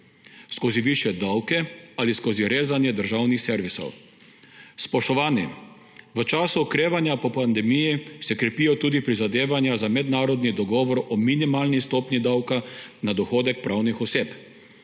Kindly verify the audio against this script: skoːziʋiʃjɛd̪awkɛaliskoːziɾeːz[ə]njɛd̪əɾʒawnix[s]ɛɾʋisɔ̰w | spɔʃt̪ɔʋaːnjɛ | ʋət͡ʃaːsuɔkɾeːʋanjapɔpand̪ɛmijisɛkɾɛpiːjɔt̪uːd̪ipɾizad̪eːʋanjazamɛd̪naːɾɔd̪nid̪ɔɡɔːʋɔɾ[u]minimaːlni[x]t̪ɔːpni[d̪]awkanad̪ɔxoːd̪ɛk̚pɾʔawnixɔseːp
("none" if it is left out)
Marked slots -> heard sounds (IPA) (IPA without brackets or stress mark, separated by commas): a, s, ɔ, s, d̪